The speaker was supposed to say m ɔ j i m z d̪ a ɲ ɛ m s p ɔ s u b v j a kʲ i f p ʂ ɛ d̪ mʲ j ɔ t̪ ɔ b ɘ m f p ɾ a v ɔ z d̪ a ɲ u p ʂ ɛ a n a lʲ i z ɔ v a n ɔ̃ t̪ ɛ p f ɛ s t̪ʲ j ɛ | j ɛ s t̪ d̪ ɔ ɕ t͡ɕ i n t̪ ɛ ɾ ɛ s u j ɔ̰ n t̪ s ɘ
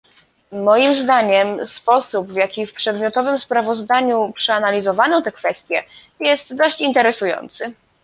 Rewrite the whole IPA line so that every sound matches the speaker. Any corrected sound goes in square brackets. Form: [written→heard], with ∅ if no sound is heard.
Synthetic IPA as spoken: m ɔ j i m z d̪ a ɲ ɛ m s p ɔ s u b v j a kʲ i f p ʂ ɛ d̪ mʲ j ɔ t̪ ɔ [b→v] ɘ m [f→s] p ɾ a v ɔ z d̪ a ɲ u p ʂ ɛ a n a lʲ i z ɔ v a n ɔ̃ t̪ ɛ [p→k] f ɛ s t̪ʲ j ɛ | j ɛ s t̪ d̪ ɔ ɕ t͡ɕ i n t̪ ɛ ɾ ɛ s u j ɔ̰ n t̪ s ɘ